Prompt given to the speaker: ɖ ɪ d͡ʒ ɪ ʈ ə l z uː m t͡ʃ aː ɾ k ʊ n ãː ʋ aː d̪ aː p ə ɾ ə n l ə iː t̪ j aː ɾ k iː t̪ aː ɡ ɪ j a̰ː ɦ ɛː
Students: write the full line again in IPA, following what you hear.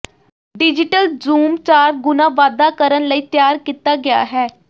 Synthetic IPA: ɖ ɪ d͡ʒ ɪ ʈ ə l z uː m t͡ʃ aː ɾ ɡ ʊ n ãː ʋ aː d̪ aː k ə ɾ ə n l ə iː t̪ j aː ɾ k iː t̪ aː ɡ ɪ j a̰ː ɦ ɛː